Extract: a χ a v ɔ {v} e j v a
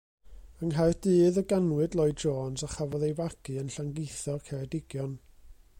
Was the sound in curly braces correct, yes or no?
no